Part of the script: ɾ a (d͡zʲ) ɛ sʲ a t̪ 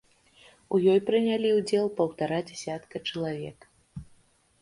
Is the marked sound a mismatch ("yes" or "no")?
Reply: no